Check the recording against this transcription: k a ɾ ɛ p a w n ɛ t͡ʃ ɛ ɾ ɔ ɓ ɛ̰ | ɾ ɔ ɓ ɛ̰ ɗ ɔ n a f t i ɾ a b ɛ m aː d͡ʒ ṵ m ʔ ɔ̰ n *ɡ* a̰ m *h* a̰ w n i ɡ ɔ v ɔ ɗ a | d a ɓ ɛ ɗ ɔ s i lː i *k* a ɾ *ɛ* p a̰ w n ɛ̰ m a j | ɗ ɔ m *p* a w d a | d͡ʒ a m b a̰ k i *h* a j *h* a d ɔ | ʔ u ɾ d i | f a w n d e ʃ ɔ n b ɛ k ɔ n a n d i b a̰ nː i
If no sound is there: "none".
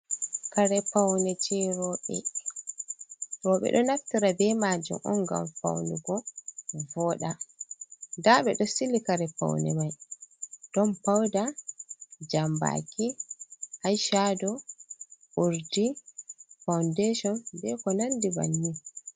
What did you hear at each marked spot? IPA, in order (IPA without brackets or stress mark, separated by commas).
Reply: ɡ, f, k, ɛ, p, h, ʃ